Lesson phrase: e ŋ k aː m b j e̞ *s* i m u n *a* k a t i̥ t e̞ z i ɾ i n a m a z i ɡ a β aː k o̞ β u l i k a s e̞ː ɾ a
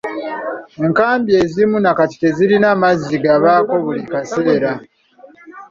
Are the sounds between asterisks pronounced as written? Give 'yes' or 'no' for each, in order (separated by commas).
no, yes